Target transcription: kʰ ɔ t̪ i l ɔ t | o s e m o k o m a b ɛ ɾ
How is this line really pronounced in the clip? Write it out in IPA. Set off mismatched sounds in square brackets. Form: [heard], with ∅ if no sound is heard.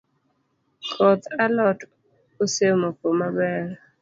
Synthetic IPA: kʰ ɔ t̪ [a] l ɔ t | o s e m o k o m a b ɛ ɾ

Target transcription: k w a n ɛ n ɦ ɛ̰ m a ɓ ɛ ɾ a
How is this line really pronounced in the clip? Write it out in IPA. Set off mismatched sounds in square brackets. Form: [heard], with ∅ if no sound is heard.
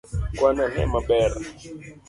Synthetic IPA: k w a n [a] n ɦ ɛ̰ m a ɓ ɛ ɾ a

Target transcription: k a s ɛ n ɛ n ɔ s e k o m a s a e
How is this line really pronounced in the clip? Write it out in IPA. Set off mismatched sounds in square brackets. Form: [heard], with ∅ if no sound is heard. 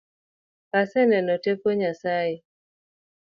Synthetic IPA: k a s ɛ n ɛ n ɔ [t] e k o [ɲ] a s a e

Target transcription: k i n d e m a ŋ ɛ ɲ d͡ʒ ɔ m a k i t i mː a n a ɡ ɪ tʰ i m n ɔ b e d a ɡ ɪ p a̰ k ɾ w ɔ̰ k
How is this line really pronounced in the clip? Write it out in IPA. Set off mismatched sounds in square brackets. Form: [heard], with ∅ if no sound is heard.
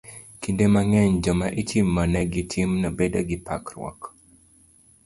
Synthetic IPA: k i n d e m a ŋ ɛ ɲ d͡ʒ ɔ m a [ʔ] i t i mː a n [ɛ] ɡ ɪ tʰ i m n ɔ b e d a ɡ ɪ p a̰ k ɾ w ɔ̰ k

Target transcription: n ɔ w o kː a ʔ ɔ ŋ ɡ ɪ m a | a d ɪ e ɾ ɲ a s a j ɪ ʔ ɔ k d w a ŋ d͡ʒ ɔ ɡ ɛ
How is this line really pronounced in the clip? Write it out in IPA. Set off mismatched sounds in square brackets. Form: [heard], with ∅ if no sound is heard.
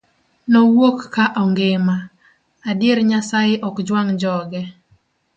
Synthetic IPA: n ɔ w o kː a ʔ ɔ ŋ ɡ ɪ m a | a d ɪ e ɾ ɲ a s a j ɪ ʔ ɔ k [d͡ʒ] w a ŋ d͡ʒ ɔ ɡ ɛ

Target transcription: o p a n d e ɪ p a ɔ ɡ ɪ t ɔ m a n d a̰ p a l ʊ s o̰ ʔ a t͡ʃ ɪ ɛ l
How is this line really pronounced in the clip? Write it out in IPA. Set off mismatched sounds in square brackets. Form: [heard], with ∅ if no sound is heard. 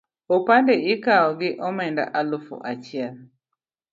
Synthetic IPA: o p a n d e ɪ [k] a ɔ ɡ ɪ [ʔ] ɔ m [ɛ] n d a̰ [ʔ] a l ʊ [f] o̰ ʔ a t͡ʃ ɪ ɛ l

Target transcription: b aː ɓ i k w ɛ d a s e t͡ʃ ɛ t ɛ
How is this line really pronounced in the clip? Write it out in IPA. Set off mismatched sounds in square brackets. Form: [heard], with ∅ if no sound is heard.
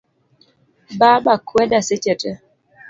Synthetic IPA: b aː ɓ [a] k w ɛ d a s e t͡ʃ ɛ t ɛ

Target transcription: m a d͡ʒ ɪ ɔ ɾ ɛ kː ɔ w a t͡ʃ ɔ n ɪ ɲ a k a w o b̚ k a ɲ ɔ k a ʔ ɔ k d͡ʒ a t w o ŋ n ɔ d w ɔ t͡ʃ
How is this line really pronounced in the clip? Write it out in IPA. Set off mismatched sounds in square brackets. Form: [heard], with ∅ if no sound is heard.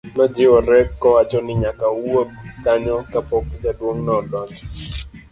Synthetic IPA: m a d͡ʒ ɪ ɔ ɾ ɛ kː ɔ w a t͡ʃ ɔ n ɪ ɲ a k a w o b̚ k a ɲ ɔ k a [p] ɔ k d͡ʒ a [d] w o ŋ n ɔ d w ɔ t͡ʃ

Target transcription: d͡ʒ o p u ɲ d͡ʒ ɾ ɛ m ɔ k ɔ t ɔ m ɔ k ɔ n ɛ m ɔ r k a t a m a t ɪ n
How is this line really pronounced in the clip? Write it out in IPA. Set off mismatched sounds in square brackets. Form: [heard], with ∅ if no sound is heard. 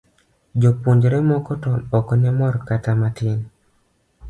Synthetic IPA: d͡ʒ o p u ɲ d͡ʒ ɾ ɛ m ɔ k ɔ t ɔ [n] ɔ k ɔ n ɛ m ɔ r k a t a m a t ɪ n

